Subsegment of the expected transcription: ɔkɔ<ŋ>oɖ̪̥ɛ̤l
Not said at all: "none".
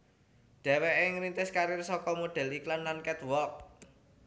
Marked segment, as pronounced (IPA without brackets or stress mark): m